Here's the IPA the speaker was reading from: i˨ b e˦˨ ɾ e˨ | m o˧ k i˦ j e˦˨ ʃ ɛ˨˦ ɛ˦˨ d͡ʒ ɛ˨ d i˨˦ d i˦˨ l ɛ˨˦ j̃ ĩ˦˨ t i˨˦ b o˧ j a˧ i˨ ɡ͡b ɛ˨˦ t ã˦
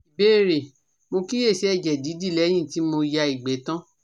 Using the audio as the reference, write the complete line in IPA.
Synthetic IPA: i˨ b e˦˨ ɾ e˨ | m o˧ k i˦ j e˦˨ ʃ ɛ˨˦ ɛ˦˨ d͡ʒ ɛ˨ d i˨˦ d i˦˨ l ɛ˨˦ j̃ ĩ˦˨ t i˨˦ m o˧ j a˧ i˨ ɡ͡b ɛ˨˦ t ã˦